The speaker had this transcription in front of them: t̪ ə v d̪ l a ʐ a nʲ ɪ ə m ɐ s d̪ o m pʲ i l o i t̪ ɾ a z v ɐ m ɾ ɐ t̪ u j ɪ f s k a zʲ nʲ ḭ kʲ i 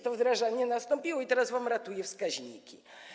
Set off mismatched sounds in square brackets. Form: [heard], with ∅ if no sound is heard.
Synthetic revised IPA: t̪ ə v d̪ [ɾ] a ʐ a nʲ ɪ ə [n] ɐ s [t̪] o m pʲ i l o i t̪ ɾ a z v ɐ m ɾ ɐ t̪ u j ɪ f s k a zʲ nʲ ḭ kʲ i